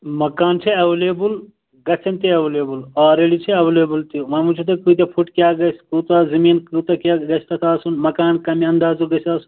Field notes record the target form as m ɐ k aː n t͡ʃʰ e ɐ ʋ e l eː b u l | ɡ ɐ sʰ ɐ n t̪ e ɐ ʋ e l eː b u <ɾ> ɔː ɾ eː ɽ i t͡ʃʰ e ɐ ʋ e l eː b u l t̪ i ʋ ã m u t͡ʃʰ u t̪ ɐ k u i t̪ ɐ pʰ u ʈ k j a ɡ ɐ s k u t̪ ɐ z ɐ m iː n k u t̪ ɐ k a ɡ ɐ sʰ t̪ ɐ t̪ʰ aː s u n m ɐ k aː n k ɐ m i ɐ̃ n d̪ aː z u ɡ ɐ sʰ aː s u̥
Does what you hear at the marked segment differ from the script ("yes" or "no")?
yes